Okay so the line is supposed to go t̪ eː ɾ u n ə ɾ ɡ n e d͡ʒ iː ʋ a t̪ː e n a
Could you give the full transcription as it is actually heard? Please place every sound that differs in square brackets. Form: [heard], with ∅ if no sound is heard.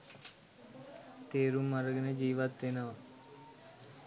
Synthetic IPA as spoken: t̪ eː ɾ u [m] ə ɾ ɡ n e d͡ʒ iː ʋ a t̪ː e n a